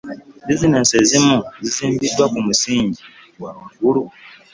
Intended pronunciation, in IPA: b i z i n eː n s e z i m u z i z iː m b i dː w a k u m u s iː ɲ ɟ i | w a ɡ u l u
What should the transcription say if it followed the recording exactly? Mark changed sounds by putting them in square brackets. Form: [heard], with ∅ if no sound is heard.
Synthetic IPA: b i z i n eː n s e z i m u z i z iː m b i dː w a k u m u s iː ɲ ɟ i | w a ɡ u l u